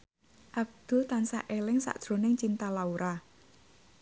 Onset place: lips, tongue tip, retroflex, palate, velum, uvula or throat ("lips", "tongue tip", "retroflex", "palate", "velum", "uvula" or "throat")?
throat